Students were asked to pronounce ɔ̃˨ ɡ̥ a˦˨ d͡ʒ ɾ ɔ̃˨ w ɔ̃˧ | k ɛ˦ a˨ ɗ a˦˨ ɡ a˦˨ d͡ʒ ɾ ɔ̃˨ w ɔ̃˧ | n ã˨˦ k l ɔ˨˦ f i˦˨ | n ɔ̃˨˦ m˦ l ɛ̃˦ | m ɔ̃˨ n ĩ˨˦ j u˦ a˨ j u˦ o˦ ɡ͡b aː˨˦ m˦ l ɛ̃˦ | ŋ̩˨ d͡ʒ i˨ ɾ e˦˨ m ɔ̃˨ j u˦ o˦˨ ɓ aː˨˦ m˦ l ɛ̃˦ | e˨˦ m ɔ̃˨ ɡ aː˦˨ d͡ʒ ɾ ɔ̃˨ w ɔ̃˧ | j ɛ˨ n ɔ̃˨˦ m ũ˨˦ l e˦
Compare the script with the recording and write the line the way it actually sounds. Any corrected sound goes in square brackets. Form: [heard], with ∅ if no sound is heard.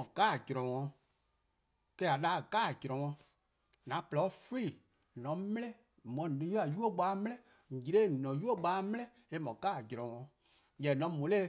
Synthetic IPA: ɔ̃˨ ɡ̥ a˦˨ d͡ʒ ɾ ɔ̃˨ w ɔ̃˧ | k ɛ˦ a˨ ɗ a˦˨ ɡ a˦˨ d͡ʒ ɾ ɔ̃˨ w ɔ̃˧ | n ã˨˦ [p] l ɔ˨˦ f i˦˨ | n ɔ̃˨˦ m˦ l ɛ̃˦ | m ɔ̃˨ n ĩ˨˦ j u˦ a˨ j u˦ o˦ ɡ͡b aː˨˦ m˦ l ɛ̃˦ | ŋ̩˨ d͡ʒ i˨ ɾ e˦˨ [n] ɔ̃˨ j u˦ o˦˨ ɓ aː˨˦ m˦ l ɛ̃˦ | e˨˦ m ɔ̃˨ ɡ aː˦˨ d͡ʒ ɾ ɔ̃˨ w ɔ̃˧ | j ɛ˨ n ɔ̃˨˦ m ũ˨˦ l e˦